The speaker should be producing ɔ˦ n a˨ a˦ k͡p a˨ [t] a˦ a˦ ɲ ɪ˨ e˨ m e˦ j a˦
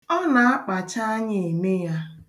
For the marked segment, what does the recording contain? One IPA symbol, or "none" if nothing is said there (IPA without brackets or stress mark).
t͡ʃ